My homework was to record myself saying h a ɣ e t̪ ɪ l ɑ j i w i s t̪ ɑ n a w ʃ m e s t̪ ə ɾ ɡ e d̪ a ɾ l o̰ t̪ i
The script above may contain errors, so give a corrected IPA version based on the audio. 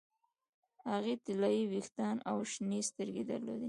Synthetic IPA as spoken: h a ɣ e t̪ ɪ l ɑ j i w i x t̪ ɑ n a w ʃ n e s t̪ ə ɾ ɡ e d̪ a ɾ l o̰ d̪ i